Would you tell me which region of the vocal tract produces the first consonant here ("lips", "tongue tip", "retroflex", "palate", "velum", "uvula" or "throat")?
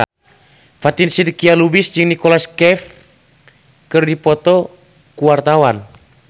lips